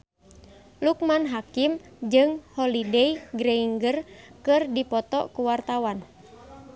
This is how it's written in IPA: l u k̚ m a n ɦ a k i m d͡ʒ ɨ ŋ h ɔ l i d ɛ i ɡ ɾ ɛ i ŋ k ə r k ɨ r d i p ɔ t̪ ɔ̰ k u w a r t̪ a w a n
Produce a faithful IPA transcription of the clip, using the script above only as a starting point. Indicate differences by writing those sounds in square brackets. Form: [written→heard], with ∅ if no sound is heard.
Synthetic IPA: l u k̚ m a n ɦ a k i m d͡ʒ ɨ ŋ h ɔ l i d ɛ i ɡ ɾ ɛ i ŋ [k→ɡ] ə r k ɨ r d i p ɔ t̪ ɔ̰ k u w a r t̪ a w a n